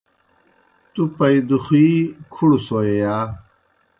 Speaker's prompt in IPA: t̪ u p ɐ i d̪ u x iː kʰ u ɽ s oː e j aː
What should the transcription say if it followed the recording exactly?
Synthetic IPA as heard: t̪ u p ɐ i d̪ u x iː kʰ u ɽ s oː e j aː